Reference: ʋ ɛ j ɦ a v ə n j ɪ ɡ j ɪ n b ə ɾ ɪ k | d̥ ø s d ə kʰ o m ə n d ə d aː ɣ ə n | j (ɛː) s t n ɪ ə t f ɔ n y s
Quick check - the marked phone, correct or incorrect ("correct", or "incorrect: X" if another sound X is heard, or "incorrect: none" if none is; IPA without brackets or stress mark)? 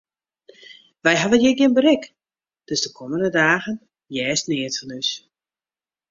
correct